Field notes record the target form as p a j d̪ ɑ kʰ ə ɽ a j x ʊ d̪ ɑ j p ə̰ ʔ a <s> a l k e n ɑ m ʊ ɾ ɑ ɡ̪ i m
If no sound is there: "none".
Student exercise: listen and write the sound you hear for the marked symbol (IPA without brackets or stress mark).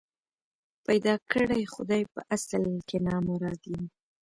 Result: s